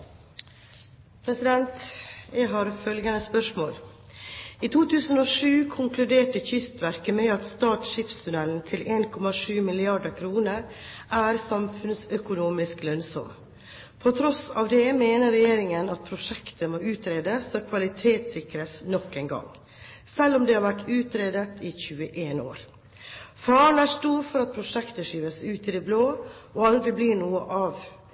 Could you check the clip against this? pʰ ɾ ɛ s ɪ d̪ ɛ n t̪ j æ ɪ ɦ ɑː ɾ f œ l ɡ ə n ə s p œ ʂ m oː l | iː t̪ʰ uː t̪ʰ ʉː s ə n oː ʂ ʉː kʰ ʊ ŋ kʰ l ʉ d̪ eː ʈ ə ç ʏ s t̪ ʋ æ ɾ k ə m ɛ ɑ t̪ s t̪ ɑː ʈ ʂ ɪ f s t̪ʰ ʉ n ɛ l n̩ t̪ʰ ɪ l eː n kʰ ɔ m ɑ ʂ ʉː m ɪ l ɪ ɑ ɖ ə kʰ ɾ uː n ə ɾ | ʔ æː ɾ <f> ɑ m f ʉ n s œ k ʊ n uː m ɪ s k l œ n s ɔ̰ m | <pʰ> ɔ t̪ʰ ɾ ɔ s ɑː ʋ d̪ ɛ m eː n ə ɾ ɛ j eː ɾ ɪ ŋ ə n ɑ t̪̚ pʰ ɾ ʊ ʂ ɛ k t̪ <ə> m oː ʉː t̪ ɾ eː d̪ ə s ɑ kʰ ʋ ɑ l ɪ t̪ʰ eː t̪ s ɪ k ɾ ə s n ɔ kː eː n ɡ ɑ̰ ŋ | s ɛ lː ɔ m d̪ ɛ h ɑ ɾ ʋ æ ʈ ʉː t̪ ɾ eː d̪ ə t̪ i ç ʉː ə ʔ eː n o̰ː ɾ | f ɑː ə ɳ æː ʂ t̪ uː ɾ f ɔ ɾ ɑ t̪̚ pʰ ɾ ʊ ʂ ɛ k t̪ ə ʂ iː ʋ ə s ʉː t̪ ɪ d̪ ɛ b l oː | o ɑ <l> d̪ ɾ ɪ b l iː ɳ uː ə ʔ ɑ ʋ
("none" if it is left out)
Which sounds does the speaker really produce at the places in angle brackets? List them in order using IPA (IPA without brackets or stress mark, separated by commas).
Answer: s, pʰ, ə, l